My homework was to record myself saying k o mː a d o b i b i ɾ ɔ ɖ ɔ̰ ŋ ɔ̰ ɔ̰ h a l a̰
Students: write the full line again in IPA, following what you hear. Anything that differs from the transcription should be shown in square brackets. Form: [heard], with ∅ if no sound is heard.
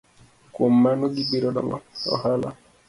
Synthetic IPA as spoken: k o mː a [n] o [ɡ] i b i ɾ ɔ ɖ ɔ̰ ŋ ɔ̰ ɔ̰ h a l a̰